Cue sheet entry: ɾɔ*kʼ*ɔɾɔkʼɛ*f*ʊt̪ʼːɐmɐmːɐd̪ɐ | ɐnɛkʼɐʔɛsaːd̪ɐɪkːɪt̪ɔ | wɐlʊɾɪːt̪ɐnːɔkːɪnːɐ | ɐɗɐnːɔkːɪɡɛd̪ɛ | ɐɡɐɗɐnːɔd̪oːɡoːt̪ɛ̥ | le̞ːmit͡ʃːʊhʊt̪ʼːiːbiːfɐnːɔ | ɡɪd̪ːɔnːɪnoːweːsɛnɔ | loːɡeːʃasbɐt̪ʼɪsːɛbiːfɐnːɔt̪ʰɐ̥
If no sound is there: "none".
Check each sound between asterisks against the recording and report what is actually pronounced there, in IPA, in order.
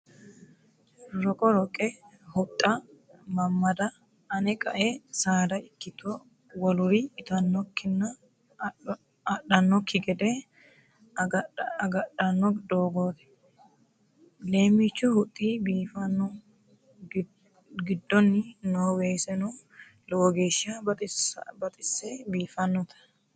kʼ, h

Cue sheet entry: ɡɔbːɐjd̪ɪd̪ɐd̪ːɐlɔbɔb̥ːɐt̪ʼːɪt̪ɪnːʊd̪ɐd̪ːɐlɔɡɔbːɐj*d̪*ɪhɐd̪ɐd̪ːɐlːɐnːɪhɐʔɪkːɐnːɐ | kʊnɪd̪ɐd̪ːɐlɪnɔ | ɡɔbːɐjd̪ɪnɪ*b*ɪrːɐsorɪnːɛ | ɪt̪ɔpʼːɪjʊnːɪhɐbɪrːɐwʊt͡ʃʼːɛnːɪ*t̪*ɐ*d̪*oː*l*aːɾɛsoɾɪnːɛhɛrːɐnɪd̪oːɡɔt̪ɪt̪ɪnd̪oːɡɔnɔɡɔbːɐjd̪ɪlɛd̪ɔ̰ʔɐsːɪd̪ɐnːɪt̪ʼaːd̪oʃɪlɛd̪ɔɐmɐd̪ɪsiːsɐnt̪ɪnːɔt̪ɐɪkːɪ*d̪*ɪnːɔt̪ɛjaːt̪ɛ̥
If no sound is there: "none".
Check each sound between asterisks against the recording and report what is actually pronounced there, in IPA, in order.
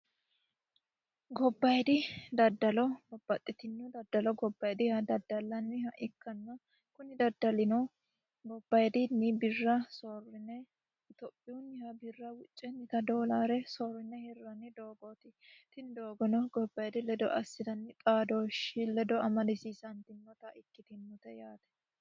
d̪, b, t̪, d̪, l, t̪

